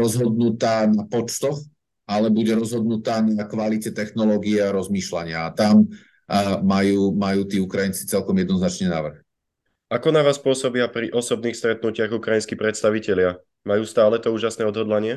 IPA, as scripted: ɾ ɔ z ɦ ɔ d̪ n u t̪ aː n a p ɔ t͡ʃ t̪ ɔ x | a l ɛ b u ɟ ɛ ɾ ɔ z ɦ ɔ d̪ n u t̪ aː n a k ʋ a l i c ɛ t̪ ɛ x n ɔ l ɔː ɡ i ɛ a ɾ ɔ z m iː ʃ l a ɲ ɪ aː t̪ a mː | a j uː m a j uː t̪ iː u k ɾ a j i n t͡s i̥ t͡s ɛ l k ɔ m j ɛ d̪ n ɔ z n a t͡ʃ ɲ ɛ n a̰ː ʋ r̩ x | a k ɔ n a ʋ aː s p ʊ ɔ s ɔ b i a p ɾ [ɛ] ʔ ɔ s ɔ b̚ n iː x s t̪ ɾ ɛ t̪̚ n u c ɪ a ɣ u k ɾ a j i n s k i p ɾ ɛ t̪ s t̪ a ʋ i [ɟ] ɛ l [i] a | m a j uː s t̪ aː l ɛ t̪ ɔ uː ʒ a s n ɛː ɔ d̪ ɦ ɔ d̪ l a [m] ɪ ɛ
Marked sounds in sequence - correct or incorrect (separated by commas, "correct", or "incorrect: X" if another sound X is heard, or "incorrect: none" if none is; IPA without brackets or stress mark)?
incorrect: i, incorrect: c, incorrect: ɪ, incorrect: ɲ